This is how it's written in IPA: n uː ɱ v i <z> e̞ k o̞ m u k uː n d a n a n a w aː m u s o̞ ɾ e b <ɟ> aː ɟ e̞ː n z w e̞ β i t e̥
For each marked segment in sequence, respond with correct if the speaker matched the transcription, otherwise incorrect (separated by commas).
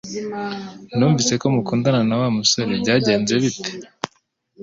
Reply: incorrect, correct